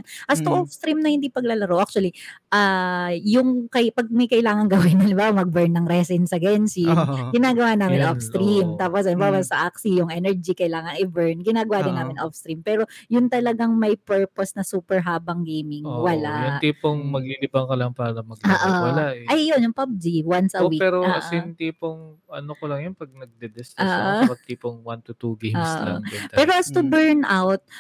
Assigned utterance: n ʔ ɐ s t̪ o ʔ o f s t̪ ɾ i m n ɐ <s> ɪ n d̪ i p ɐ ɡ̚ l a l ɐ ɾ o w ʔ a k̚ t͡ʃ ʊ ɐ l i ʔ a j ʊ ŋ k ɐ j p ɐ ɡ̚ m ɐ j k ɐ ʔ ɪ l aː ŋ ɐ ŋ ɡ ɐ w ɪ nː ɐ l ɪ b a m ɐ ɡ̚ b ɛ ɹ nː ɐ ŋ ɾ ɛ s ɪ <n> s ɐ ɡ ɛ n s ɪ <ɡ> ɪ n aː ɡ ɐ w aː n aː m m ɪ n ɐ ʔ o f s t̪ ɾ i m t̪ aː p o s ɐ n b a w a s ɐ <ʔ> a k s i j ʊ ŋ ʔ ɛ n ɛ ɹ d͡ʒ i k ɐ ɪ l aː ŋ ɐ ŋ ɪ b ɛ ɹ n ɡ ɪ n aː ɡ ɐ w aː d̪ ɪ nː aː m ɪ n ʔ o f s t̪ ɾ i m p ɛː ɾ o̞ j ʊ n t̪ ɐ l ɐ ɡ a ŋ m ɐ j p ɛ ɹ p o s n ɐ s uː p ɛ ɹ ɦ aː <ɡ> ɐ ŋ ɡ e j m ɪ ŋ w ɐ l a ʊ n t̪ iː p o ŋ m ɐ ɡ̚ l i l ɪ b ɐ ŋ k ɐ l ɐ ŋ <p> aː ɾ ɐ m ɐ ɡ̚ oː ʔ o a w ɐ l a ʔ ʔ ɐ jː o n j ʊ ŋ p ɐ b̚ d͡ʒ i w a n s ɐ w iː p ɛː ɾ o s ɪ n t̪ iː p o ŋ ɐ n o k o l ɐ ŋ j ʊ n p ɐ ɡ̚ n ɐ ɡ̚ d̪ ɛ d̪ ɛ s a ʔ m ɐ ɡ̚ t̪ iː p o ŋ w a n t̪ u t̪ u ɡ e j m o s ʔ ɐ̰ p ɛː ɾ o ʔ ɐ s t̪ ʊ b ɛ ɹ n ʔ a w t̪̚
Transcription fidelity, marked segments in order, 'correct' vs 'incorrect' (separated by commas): incorrect, correct, correct, correct, incorrect, correct